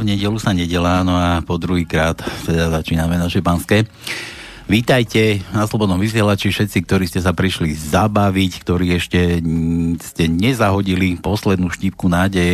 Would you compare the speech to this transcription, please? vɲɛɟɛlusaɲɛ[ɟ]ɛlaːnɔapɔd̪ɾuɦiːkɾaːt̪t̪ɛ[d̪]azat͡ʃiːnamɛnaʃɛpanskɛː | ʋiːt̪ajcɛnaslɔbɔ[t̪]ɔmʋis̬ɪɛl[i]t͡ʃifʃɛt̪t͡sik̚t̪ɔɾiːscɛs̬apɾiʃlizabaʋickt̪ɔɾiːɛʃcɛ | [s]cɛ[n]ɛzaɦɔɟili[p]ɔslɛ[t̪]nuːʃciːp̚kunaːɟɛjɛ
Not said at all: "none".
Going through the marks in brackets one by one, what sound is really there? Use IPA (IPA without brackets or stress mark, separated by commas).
ɟ, d̪, d̪, a, s, ɲ, p, d̪